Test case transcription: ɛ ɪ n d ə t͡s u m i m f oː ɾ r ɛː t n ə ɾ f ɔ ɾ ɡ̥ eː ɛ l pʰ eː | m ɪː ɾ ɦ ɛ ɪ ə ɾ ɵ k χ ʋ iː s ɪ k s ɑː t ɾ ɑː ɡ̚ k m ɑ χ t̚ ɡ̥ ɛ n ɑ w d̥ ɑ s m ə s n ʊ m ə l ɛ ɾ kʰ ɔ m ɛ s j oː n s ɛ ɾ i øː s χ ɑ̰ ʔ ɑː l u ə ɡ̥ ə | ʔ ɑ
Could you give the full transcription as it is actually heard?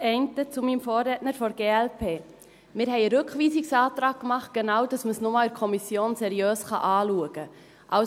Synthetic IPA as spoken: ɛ ɪ n t ə t͡s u m i m f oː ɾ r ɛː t n ə ɾ f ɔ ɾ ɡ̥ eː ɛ l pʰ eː | m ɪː ɾ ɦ ɛ ɪ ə ɾ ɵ k χ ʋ iː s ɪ k s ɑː t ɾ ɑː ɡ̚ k m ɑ χ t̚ ɡ̥ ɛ n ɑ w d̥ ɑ s m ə s n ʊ m ɑ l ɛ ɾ kʰ ɔ m i s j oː n s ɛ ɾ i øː s χ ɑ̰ ʔ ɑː l u ə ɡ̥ ə | ʔ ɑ